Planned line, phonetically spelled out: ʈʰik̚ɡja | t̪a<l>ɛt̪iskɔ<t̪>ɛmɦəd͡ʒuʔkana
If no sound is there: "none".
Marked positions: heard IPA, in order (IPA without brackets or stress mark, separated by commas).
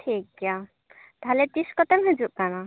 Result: l, t̪